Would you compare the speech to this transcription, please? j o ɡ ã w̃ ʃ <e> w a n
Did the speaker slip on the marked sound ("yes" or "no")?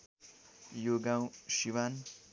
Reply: yes